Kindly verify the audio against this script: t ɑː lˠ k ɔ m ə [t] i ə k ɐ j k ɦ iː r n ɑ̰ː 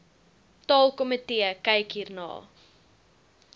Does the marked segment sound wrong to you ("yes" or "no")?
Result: no